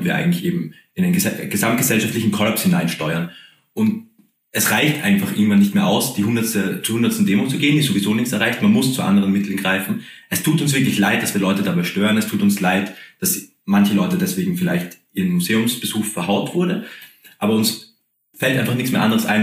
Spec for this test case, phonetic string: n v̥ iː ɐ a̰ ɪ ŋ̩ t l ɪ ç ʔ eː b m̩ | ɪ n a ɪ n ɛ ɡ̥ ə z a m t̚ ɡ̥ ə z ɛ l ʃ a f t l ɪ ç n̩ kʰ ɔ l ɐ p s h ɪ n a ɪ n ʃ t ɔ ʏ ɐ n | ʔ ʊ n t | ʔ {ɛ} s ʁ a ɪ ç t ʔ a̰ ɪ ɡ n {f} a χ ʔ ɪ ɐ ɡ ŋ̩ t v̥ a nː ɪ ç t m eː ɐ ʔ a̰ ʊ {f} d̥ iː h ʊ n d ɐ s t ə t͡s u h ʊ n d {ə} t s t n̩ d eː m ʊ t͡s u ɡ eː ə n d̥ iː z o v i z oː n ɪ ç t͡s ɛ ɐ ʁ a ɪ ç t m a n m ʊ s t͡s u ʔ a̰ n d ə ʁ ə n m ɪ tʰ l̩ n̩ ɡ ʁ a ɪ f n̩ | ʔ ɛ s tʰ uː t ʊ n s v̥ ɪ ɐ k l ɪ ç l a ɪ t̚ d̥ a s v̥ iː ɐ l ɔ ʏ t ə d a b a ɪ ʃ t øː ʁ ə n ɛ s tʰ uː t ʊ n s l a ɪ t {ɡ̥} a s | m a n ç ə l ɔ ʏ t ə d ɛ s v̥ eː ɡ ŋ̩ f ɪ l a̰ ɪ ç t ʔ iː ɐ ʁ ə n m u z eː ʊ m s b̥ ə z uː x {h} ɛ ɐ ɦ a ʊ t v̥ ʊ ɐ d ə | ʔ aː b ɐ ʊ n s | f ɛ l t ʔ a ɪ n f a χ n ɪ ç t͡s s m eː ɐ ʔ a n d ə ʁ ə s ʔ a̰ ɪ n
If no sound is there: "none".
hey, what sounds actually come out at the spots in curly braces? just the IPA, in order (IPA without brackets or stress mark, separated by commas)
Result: ɛ, f, s, ɐ, d̥, f